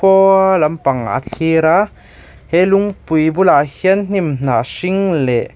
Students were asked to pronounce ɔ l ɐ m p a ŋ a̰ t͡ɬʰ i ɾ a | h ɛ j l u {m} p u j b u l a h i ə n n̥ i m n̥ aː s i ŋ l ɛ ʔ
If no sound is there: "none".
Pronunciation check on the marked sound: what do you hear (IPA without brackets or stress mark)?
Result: ŋ